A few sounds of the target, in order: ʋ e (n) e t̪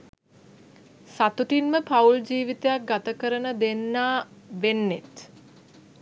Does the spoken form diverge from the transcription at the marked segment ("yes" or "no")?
yes